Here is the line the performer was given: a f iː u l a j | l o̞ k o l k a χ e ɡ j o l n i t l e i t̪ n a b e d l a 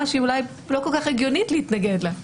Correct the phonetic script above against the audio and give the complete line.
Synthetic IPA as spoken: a ʃ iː u l a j | l o̞ k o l k a χ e ɡ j o n i t l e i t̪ n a ɡ e d l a